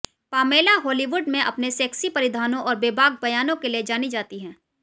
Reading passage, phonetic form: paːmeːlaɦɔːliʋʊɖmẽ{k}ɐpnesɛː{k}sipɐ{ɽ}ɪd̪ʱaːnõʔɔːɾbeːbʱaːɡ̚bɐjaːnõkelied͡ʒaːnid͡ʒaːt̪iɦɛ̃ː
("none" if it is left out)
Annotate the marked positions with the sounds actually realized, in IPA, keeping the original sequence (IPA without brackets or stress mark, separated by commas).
ʔ, k, ɾ